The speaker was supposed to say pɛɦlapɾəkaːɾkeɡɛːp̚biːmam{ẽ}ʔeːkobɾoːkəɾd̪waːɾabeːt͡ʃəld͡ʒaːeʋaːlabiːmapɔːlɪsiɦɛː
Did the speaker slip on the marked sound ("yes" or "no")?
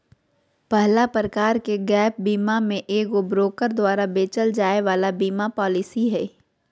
no